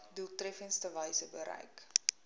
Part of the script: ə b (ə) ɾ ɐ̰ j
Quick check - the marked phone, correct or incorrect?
correct